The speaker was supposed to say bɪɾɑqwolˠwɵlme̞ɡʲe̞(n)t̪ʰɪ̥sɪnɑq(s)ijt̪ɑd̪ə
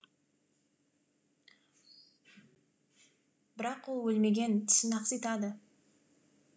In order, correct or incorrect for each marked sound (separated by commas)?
correct, correct